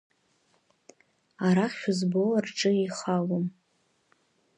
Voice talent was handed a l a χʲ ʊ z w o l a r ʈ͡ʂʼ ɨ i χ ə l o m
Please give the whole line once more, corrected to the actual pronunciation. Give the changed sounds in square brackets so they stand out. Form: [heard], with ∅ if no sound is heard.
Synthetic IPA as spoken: a [ɾ] a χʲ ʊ z [b] o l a r ʈ͡ʂʼ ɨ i χ [a] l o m

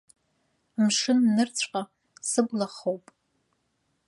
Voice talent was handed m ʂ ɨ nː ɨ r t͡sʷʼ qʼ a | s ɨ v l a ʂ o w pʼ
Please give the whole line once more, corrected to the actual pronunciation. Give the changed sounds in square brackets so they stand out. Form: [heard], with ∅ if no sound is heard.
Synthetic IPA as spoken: m ʂ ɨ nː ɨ r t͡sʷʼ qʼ a | s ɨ [b] l a [χ] o w pʼ

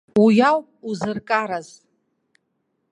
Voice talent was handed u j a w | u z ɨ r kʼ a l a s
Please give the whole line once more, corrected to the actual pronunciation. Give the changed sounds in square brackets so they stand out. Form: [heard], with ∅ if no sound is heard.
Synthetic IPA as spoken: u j a w | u z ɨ r kʼ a [ɾ] a [z]

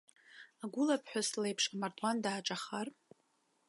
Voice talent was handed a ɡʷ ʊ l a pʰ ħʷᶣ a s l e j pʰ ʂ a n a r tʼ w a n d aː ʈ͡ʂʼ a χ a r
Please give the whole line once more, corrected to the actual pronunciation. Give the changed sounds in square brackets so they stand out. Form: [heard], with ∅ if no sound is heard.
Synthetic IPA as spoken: a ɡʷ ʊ l a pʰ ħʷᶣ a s l e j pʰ ʂ a [m] a r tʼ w a n d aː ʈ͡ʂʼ a χ a r

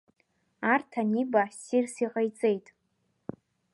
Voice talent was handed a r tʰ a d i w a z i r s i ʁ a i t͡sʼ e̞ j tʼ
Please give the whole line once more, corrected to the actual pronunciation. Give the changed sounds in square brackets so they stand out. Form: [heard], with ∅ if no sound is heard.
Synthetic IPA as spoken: a r tʰ a [n] i [b] a [s] i r s i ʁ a [j] t͡sʼ e̞ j tʼ

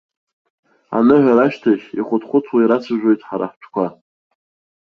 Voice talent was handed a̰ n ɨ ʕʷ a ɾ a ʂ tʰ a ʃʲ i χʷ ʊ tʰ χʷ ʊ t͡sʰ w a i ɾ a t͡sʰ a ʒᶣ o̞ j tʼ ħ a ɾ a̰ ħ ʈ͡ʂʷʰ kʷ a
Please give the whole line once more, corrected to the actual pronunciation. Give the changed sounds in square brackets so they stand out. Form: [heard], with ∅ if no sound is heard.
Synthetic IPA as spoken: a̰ n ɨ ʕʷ a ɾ a [ʃ] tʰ a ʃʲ i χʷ ʊ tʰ χʷ ʊ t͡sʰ w a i ɾ a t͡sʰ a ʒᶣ o̞ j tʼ ħ a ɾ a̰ ħ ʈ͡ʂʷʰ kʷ a

